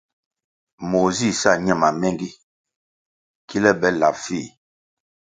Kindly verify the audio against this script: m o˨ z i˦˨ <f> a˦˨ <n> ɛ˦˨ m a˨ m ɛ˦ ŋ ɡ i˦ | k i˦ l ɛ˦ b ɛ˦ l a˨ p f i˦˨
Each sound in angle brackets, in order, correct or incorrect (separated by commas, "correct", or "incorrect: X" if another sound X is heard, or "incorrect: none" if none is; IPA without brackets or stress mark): incorrect: s, incorrect: ɲ